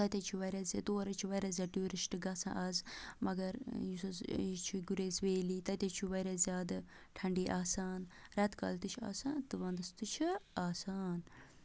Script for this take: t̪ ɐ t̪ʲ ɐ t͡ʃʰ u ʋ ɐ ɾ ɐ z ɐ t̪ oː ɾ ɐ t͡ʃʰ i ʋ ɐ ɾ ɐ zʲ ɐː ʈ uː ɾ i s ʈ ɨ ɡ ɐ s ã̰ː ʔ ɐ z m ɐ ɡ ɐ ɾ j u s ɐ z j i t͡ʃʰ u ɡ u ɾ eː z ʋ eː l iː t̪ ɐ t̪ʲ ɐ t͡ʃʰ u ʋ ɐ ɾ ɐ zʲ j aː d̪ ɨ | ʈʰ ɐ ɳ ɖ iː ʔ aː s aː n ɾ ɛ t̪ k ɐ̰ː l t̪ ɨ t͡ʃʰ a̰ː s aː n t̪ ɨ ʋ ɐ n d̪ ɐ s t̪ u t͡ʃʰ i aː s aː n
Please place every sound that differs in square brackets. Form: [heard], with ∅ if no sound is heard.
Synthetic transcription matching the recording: t̪ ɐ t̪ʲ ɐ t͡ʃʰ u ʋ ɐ ɾ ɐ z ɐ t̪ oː ɾ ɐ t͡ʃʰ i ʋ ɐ ɾ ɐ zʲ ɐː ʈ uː ɾ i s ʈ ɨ ɡ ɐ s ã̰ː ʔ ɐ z m ɐ ɡ ɐ ɾ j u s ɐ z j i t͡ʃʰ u ɡ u ɾ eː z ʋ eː l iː t̪ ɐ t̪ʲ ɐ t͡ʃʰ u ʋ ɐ ɾ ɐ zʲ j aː d̪ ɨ | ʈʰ ɐ ɳ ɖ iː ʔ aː s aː n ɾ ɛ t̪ k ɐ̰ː l t̪ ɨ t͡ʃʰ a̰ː s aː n t̪ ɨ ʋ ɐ n d̪ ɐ s t̪ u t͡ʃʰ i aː s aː n